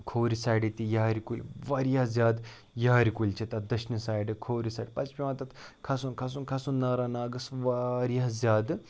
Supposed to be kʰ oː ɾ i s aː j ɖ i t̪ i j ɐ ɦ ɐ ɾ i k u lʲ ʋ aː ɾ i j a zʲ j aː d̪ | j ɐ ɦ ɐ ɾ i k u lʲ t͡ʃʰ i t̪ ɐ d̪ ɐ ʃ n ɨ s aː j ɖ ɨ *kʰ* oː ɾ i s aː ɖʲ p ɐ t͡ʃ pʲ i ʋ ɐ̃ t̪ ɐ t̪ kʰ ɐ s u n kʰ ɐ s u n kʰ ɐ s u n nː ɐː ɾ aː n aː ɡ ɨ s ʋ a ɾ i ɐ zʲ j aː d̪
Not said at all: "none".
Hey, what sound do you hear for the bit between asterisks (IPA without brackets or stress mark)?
kʰ